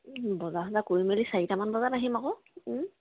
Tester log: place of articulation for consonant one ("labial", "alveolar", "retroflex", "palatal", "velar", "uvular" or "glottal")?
labial